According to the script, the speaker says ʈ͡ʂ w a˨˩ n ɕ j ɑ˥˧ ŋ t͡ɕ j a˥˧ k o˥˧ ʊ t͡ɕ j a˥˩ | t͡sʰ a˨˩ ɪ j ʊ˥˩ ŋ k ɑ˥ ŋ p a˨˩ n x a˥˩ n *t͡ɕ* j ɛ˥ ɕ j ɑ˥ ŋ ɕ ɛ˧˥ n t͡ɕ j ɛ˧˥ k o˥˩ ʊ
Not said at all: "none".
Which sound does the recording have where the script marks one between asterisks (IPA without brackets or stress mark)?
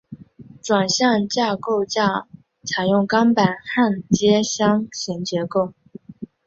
t͡ɕ